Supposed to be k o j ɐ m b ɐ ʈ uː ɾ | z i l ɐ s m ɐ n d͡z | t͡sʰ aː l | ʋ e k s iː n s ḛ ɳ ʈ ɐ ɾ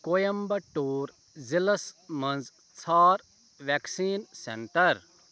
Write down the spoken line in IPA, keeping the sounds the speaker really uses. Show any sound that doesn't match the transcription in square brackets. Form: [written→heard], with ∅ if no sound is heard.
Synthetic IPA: k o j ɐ m b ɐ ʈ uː ɾ | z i l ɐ s m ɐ n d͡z | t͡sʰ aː [l→ɾ] | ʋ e k s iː n s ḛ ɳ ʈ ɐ ɾ